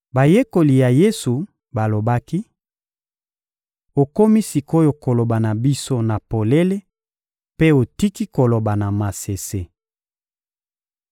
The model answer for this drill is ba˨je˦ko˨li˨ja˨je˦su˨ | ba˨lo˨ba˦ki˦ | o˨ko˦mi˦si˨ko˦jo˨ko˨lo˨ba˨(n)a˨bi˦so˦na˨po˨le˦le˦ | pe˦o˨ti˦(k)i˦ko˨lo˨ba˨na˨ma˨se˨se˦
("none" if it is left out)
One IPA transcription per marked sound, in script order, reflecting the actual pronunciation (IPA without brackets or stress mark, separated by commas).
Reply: n, k